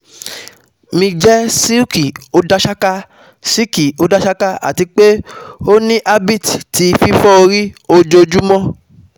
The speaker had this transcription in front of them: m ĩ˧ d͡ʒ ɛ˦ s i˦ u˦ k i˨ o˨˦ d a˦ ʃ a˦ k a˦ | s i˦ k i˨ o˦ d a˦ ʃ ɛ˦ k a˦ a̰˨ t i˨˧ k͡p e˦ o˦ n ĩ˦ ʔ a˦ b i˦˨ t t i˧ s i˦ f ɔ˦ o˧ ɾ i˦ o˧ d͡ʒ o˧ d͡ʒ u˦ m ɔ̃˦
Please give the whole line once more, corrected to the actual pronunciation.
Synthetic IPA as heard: m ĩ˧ d͡ʒ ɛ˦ s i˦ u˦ k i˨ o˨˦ d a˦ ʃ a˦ k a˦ | s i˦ k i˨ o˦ d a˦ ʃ a˦ k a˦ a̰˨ t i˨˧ k͡p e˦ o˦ n ĩ˦ ʔ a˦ b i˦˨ t t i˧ f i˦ f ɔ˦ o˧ ɾ i˦ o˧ d͡ʒ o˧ d͡ʒ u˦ m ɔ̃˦